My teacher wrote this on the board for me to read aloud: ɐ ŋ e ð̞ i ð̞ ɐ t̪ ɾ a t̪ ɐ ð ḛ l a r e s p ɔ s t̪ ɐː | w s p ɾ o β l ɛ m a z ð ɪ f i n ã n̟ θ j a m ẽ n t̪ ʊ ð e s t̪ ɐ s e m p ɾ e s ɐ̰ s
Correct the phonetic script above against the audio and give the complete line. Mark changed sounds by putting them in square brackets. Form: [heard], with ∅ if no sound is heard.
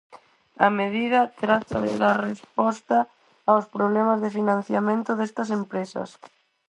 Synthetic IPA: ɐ [m] e ð̞ i ð̞ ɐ t̪ ɾ a t̪ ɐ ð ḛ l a r e s p ɔ s t̪ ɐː | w s p ɾ o β l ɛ m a z ð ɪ f i n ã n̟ θ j a m ẽ n t̪ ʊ ð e s t̪ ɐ s e m p ɾ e s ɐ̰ s